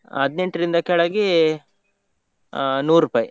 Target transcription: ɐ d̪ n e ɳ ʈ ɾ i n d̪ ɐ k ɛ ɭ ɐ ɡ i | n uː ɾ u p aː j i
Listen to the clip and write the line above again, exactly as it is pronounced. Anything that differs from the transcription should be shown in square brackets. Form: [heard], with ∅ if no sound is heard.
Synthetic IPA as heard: ɐ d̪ n e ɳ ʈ ɾ i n d̪ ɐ k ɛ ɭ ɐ ɡ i | n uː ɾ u p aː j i